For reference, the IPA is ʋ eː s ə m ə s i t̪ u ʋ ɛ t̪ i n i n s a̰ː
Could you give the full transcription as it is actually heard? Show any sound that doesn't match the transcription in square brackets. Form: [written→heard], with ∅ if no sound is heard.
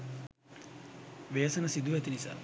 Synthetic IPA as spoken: ʋ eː s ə [m→n] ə s i [t̪→d̪] u ʋ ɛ t̪ i n i [n→∅] s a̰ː